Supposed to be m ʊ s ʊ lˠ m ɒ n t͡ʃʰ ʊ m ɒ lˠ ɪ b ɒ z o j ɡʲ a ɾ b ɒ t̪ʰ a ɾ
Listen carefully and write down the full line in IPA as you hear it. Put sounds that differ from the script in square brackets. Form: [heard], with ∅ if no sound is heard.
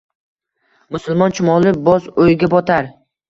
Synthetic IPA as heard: m ʊ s ʊ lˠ m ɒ n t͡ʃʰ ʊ m ɒ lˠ ɪ b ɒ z o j ɡʲ a [∅] b ɒ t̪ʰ a ɾ